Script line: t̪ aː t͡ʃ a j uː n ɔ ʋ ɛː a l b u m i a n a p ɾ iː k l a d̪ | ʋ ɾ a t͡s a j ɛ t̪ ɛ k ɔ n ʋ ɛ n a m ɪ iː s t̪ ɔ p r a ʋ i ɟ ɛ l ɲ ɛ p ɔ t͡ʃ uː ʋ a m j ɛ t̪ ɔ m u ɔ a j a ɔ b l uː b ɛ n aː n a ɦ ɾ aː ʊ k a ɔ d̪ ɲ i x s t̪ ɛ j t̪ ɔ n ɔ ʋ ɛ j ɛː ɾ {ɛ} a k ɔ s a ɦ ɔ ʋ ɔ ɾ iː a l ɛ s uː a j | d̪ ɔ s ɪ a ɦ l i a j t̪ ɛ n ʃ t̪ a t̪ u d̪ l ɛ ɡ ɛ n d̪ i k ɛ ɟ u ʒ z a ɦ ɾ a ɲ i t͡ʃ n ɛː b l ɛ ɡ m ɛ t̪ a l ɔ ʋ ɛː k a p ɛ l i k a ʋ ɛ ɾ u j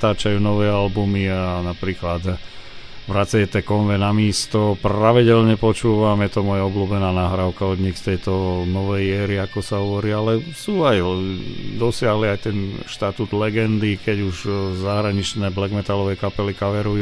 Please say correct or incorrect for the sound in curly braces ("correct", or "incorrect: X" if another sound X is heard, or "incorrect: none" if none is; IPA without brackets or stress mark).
incorrect: i